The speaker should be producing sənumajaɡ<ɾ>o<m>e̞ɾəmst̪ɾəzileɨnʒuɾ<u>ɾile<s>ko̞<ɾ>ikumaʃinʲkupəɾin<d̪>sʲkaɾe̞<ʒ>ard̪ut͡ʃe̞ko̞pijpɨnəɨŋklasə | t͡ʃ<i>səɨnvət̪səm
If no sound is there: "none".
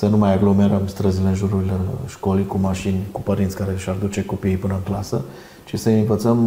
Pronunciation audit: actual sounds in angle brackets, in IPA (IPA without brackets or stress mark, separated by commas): l, m, u, ʃ, l, t̪, ʃ, i